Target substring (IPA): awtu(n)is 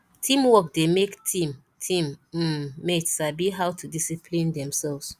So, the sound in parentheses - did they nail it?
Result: no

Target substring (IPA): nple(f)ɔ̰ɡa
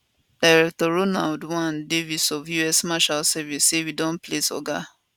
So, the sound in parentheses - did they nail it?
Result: no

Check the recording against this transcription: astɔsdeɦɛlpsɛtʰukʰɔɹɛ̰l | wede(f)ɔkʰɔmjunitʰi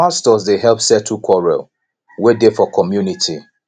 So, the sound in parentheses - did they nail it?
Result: yes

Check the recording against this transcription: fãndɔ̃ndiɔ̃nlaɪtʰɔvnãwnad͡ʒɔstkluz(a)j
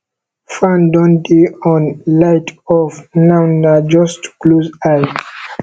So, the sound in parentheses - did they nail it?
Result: yes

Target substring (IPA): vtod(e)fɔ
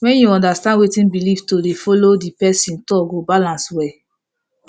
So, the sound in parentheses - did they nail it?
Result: yes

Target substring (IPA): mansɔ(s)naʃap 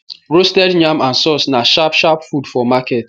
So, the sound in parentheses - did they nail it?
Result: yes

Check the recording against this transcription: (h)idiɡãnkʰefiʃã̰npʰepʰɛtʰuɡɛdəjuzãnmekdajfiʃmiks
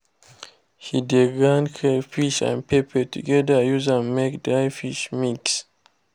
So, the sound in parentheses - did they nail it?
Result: yes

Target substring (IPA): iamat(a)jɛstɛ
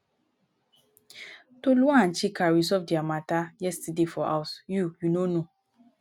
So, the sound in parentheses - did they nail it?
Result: yes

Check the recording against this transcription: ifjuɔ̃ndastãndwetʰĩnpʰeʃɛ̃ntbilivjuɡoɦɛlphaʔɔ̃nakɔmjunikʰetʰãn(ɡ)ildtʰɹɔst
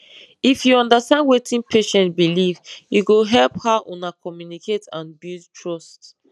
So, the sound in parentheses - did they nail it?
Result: no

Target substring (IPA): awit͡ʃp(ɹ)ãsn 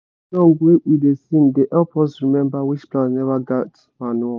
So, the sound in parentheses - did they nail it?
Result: no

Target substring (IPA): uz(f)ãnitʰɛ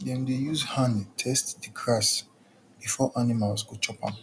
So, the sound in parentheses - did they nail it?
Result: no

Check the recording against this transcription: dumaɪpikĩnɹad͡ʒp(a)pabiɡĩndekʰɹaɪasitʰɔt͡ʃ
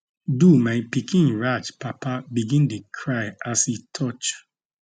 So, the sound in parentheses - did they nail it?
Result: yes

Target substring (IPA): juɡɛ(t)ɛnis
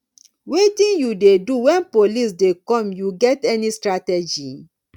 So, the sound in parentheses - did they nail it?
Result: yes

